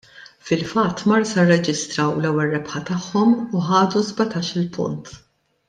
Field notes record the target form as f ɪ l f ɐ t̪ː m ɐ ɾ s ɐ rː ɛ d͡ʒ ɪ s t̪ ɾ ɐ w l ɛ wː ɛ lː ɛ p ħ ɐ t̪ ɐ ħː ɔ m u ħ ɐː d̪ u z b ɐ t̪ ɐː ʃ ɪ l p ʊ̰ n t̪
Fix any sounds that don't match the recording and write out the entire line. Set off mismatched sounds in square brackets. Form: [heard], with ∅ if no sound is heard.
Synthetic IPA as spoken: f ɪ l f ɐ t̪ː m ɐ ɾ s ɐ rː ɛ d͡ʒ ɪ s t̪ ɾ ɐ w l ɛ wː ɛ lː ɛ p ħ ɐ t̪ ɐ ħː ɔ m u ħ ɐː d̪ u z b ɐ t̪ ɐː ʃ ɪ l p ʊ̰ n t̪